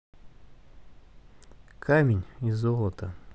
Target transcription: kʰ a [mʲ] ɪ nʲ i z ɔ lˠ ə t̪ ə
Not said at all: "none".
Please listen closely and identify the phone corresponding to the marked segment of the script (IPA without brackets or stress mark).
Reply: mʲ